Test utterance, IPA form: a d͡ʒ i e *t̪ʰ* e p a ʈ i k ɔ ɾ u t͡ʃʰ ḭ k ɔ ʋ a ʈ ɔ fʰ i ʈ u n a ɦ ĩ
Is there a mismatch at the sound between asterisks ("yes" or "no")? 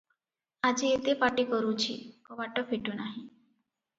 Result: yes